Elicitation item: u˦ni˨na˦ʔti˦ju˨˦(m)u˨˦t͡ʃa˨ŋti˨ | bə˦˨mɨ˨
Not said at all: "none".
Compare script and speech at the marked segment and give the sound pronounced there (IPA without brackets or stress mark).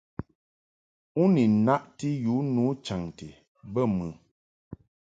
n